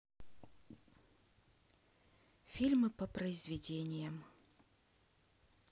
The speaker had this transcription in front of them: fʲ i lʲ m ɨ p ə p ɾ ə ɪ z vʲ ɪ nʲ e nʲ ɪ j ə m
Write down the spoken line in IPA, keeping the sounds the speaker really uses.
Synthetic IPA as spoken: fʲ i lʲ m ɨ p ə p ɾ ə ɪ z vʲ ɪ dʲ e nʲ ɪ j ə m